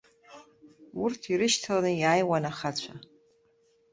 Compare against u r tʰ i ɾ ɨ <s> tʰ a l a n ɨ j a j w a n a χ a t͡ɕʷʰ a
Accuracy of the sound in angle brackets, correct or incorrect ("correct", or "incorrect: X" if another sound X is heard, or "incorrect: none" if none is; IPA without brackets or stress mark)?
incorrect: ʃ